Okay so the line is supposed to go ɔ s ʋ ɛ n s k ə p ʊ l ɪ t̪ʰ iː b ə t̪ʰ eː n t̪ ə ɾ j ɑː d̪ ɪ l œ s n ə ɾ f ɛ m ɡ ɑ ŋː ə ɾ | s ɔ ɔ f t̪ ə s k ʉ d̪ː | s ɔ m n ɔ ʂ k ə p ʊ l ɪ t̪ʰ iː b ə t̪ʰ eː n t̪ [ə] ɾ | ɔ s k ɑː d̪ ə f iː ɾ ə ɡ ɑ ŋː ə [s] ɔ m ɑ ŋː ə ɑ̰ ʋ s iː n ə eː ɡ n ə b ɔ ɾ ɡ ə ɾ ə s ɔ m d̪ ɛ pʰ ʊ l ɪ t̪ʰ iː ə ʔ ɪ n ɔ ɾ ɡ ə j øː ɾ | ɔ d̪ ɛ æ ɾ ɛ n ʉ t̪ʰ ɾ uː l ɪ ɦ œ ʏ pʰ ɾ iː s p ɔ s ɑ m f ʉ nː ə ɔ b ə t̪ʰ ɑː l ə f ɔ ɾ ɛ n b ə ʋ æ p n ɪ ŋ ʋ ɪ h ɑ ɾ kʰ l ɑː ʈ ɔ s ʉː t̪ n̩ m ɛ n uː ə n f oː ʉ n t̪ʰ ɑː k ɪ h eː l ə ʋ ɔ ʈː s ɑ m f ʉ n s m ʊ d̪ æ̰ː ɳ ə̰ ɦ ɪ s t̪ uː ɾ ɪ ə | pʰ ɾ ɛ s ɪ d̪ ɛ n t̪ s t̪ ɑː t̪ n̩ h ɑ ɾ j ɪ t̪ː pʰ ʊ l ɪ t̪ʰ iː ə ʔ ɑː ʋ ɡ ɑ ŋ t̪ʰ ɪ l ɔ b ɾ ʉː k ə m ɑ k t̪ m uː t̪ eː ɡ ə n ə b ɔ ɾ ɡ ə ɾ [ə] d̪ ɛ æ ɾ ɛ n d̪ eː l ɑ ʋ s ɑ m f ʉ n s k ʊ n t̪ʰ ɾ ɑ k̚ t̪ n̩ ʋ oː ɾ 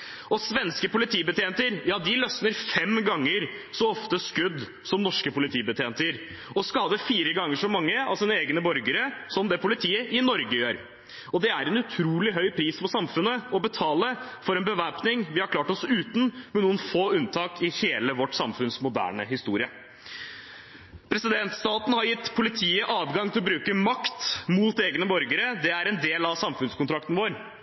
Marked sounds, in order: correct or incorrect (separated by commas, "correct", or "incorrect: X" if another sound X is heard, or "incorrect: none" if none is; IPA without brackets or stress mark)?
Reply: correct, incorrect: ʂ, correct